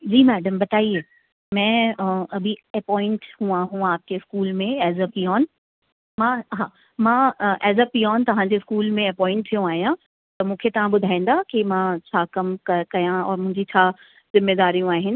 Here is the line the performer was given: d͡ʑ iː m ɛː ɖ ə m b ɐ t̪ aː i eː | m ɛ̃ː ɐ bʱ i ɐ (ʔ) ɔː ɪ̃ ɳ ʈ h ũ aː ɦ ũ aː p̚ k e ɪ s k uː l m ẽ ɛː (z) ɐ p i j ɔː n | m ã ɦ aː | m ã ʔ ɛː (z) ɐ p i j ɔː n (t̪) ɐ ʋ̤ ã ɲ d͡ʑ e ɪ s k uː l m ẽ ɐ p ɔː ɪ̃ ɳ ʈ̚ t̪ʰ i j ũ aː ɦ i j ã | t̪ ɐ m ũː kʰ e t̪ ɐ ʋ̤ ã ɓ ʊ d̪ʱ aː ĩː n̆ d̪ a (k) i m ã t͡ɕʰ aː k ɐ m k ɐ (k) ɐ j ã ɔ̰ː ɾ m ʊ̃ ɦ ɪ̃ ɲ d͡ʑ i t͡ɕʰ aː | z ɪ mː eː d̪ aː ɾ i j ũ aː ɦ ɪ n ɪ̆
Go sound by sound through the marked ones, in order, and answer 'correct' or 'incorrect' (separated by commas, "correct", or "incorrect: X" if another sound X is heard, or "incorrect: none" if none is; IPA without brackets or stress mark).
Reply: incorrect: p, correct, correct, correct, correct, correct